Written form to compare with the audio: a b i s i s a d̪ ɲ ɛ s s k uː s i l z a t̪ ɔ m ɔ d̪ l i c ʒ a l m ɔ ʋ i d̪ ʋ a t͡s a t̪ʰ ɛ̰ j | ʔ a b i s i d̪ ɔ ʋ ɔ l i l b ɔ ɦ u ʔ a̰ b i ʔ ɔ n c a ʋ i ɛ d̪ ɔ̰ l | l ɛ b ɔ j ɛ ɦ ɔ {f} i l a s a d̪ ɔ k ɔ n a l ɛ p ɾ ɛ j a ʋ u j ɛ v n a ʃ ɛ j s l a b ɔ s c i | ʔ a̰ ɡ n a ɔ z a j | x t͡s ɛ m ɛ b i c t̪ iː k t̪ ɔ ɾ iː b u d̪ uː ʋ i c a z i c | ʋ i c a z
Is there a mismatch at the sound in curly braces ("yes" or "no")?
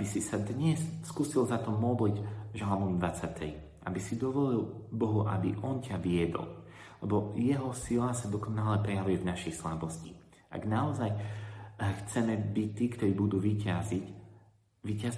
yes